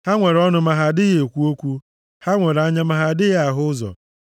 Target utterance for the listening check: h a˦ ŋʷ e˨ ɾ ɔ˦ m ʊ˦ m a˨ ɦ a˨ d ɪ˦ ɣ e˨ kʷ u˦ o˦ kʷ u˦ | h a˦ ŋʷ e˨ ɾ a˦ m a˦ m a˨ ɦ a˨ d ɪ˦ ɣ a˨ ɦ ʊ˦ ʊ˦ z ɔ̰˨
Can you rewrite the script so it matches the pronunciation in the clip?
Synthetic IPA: h a˦ ŋʷ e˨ ɾ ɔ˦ n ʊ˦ m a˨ ɦ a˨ d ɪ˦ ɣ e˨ kʷ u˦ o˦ kʷ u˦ | h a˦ ŋʷ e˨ ɾ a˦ ɲ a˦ m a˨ ɦ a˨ d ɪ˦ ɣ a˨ ɦ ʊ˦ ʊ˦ z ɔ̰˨